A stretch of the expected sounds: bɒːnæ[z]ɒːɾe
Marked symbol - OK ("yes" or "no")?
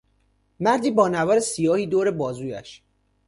no